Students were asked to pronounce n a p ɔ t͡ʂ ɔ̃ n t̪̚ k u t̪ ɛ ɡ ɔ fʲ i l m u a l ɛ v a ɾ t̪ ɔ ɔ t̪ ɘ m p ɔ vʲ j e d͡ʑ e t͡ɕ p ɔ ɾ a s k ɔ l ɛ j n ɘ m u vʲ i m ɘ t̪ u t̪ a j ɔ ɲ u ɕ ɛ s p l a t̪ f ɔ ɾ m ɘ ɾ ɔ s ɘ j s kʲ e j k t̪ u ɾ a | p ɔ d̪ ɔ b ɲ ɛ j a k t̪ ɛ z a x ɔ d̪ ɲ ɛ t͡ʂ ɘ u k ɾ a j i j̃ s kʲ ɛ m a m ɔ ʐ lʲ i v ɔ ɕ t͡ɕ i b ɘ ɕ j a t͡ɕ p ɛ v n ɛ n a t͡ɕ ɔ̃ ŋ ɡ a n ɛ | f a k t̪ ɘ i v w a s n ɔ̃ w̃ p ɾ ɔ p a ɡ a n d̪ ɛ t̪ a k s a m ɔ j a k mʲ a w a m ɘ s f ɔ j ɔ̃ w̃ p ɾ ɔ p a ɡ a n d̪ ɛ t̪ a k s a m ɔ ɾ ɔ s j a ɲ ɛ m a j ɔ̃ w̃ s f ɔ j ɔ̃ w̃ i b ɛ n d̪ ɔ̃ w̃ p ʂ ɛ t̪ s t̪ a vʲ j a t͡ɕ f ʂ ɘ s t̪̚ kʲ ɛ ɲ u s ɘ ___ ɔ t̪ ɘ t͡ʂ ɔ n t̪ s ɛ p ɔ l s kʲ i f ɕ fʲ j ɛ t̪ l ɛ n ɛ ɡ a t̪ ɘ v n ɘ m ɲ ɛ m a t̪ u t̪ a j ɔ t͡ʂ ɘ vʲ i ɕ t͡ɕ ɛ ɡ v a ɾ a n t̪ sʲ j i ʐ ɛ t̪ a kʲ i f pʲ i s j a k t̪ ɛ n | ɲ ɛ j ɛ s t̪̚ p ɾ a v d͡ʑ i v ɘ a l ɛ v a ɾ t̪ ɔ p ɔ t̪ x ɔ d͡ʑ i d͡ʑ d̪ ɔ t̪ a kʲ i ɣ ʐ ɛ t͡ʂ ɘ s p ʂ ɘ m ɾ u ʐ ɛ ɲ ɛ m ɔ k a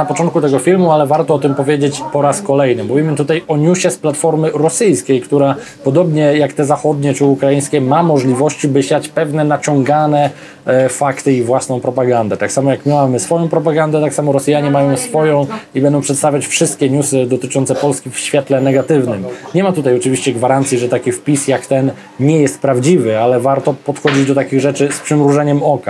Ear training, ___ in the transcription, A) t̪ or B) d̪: B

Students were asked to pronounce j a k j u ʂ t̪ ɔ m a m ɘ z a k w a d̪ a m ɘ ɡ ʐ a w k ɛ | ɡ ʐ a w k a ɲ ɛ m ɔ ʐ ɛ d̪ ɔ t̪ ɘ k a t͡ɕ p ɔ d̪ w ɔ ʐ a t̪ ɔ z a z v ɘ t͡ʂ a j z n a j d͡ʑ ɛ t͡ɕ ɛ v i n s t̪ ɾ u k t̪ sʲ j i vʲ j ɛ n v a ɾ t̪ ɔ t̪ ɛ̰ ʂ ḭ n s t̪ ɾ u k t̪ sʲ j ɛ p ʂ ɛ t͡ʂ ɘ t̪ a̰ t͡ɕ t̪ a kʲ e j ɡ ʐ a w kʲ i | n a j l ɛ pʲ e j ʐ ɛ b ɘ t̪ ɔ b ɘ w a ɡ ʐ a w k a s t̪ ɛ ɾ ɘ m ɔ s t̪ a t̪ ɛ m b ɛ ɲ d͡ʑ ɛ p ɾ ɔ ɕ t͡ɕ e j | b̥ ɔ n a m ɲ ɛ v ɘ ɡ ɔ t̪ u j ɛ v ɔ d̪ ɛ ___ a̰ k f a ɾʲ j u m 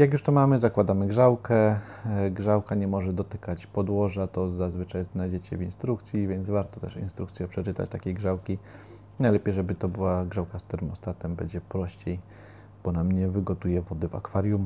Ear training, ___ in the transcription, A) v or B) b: A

